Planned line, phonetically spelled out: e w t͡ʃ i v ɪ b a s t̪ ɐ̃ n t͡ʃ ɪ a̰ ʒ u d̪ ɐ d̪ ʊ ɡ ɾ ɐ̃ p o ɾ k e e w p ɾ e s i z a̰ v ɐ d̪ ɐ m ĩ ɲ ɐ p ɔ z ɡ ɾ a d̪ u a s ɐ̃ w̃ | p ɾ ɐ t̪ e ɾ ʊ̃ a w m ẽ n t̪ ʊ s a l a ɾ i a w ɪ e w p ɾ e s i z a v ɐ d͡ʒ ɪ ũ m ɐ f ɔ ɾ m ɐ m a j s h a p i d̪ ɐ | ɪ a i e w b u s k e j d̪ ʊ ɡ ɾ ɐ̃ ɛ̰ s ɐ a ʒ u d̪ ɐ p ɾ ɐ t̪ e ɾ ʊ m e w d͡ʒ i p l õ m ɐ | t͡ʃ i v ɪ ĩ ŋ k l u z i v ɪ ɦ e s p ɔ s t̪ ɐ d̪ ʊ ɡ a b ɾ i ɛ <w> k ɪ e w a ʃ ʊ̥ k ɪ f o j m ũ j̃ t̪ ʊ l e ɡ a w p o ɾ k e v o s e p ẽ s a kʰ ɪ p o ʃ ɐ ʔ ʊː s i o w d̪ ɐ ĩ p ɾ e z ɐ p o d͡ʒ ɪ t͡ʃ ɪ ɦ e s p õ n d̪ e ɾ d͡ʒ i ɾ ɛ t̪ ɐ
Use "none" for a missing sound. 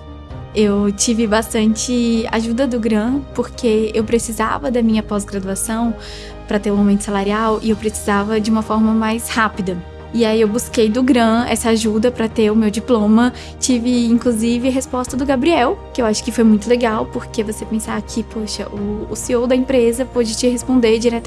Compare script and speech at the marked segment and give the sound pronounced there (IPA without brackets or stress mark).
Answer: w